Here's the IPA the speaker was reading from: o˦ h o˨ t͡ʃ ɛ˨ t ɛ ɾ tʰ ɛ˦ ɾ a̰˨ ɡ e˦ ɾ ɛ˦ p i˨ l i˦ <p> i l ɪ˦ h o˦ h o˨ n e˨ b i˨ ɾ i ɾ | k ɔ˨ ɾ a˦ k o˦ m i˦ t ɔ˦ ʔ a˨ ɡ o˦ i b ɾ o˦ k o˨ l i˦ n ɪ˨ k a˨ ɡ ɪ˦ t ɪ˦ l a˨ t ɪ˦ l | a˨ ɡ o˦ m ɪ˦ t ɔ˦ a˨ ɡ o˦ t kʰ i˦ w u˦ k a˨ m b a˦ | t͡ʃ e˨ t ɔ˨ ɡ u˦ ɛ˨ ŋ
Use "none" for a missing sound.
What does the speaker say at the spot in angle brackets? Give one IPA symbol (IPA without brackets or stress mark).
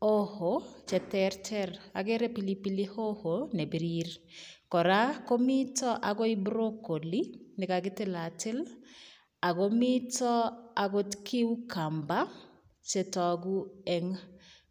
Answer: p